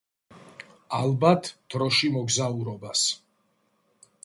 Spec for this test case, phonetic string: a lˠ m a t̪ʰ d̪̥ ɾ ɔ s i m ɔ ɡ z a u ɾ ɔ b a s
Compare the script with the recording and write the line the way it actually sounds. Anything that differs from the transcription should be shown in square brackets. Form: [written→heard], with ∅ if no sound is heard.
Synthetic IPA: a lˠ [m→b] a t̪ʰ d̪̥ ɾ ɔ [s→ʃ] i m ɔ ɡ z a u ɾ ɔ b a s